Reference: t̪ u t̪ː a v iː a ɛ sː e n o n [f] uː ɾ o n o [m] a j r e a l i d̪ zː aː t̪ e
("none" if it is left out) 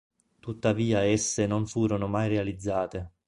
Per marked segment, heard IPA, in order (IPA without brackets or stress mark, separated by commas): f, m